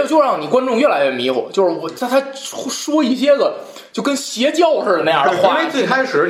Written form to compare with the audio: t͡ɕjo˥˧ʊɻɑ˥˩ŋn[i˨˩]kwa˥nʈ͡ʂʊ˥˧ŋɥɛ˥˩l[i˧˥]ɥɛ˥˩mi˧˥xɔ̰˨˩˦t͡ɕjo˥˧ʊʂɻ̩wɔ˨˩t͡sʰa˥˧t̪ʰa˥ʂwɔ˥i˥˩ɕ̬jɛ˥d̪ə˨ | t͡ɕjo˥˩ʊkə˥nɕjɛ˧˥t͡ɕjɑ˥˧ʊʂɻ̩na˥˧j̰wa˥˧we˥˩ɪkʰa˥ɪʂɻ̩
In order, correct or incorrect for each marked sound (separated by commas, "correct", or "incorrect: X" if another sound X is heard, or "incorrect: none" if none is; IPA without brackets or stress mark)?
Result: correct, incorrect: a˧˥